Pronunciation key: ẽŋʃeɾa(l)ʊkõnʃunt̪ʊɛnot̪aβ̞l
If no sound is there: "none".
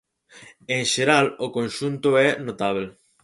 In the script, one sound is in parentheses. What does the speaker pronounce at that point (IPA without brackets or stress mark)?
l